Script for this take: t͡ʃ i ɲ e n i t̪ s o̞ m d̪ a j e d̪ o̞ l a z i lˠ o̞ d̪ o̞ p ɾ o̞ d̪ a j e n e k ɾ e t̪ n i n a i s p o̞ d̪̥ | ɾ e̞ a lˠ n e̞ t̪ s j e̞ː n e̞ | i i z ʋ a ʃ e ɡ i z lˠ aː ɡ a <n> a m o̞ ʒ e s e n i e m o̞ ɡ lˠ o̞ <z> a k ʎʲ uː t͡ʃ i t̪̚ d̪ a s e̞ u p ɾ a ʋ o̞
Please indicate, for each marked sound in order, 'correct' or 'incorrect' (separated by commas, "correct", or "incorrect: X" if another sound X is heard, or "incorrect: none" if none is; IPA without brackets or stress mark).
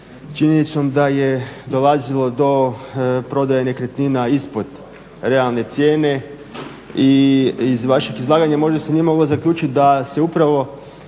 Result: incorrect: ɲ, correct